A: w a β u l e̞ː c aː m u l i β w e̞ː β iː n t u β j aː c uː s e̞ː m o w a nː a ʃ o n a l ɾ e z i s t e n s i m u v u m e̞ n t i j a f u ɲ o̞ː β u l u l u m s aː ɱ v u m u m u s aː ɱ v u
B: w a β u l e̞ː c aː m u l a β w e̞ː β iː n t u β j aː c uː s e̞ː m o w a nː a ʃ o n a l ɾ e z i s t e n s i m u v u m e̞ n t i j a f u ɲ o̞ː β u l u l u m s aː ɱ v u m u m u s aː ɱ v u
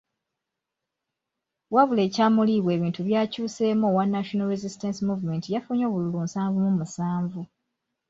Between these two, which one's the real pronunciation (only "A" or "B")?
A